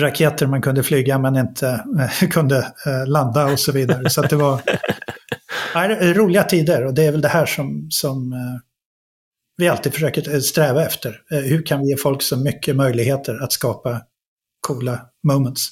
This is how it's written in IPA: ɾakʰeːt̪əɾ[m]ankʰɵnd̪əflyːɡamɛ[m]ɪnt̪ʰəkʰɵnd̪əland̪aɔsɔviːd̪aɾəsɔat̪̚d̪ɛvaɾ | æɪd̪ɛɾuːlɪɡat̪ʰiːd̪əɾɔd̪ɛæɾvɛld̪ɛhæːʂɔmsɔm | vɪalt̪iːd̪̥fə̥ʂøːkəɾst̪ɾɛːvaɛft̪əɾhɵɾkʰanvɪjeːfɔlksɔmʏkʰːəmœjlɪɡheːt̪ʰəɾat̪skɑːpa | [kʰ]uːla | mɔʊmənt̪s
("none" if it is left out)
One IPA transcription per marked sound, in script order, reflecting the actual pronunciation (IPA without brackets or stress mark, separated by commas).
m, n, kʰ